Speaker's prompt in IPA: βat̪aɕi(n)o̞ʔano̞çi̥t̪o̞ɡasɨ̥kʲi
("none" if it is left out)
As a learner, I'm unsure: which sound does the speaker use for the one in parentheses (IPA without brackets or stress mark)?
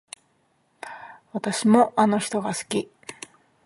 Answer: m